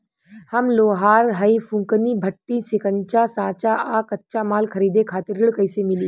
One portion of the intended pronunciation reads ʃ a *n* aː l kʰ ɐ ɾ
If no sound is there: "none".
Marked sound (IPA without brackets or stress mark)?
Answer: m